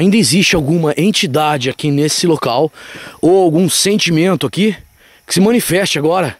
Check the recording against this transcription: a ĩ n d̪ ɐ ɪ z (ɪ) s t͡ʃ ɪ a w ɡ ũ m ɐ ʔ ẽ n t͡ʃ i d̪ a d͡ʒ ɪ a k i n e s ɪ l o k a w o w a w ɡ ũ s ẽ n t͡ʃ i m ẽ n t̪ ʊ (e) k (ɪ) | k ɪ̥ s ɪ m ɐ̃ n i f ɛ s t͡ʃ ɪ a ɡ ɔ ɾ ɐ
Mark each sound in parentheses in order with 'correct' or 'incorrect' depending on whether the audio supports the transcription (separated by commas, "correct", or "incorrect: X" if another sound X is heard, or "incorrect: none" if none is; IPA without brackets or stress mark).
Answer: incorrect: i, incorrect: a, incorrect: i